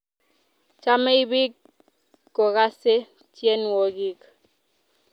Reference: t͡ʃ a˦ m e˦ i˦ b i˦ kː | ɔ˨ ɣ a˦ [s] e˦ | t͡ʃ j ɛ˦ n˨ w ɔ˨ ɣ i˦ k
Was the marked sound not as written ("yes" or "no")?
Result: no